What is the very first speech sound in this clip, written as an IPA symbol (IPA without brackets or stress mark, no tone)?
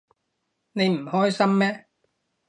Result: n